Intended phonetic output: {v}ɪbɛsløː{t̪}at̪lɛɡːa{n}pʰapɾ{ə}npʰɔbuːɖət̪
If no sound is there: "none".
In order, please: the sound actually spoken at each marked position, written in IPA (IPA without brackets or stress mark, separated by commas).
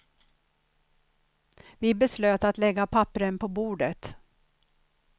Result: v, t̪, none, ə